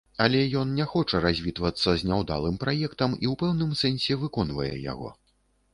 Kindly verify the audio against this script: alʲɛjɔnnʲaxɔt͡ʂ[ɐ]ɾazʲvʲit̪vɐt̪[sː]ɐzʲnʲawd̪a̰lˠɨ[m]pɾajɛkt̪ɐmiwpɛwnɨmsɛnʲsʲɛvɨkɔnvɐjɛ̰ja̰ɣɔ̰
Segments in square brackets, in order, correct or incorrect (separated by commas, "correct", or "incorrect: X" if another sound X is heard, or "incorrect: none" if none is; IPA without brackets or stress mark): correct, correct, correct